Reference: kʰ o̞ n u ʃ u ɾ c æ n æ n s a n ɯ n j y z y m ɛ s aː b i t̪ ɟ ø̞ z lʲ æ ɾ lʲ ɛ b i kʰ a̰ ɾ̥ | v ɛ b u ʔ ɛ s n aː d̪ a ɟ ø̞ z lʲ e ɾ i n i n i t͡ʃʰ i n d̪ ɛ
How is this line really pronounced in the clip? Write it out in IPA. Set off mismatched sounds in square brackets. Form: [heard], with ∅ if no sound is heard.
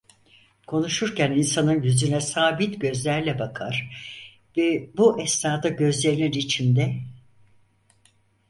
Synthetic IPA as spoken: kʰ o̞ n u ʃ u ɾ c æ n [i] n s a n ɯ n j y z y [n] ɛ s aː b i t̪ ɟ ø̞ z lʲ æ ɾ lʲ ɛ b [a] kʰ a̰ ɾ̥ | v ɛ b u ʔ ɛ s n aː d̪ a ɟ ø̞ z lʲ e ɾ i n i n i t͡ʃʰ i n d̪ ɛ